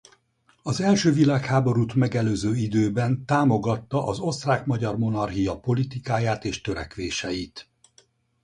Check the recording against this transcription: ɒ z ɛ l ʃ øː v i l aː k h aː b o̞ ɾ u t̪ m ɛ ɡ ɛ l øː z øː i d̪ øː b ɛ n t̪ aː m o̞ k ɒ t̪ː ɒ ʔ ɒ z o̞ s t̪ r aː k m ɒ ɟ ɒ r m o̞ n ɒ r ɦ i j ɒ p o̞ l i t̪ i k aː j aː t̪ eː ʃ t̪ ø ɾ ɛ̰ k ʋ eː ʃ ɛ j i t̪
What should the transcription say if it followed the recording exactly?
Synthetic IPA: ɒ z ɛ l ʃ øː v i l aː k h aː b o̞ ɾ u t̪ m ɛ ɡ ɛ l øː z øː i d̪ øː b ɛ n t̪ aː m o̞ ɡ ɒ t̪ː ɒ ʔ ɒ z o̞ s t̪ r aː k m ɒ ɟ ɒ r m o̞ n ɒ r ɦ i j ɒ p o̞ l i t̪ i k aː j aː t̪ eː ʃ t̪ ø ɾ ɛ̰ k ʋ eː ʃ ɛ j i t̪